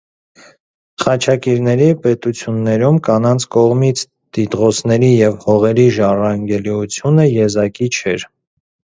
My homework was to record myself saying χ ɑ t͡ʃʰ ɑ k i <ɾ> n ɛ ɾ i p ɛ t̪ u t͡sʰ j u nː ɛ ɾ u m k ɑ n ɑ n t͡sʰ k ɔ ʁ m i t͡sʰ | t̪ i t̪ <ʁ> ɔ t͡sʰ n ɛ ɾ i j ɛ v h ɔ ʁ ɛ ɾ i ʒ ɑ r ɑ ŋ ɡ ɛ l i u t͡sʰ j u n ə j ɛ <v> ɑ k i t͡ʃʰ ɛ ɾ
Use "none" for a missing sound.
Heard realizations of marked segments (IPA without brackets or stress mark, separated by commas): ɾ, ʁ, z